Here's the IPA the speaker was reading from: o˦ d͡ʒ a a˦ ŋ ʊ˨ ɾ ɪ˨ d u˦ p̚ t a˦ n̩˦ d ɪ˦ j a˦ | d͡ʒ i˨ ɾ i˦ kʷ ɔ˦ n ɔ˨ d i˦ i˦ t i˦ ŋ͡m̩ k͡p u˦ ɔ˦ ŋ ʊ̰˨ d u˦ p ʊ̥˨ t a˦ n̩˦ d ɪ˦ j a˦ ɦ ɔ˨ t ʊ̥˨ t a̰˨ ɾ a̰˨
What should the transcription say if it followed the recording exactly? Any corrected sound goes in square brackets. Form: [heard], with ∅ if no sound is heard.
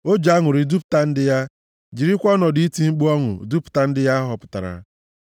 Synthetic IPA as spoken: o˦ d͡ʒ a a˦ ŋ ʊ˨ ɾ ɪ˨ d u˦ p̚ t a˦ n̩˦ d ɪ˦ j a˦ | d͡ʒ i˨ ɾ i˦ kʷ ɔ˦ n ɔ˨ d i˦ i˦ t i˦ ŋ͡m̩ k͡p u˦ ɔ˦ ŋ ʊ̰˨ d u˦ p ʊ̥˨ t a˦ n̩˦ d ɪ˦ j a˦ ɦ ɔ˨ [p] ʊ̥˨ t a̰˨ ɾ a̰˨